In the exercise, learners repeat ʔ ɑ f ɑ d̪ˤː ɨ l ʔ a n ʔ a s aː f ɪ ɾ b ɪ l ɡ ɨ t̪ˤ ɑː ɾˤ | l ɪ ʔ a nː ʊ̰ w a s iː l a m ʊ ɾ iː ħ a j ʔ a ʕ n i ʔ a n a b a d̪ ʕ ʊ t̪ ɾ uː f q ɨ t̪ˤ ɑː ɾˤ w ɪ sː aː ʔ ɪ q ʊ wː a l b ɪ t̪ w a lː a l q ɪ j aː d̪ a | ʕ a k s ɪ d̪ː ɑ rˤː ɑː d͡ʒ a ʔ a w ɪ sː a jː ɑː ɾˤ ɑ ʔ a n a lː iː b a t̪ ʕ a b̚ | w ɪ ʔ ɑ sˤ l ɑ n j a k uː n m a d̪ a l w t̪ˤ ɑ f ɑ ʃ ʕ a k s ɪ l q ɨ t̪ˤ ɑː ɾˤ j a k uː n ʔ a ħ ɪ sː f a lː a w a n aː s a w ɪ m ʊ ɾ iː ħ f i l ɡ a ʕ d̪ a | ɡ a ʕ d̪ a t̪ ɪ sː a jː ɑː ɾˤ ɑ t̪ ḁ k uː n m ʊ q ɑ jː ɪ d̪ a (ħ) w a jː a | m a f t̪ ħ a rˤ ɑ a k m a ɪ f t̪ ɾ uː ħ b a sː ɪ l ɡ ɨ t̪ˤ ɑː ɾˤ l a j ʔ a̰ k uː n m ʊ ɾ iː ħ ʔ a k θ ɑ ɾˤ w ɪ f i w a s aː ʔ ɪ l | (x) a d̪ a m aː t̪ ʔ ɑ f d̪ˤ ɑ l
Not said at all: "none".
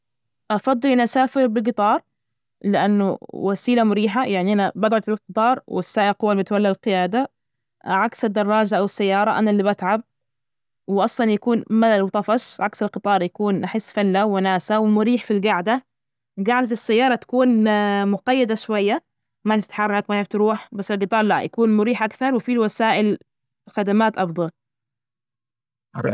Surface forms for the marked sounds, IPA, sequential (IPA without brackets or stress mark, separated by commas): ʃ, x